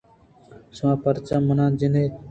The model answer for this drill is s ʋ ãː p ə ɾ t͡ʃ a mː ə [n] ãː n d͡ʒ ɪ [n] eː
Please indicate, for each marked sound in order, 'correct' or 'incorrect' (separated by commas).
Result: correct, correct